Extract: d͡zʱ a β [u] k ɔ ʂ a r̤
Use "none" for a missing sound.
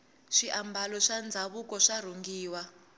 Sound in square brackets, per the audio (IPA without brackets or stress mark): u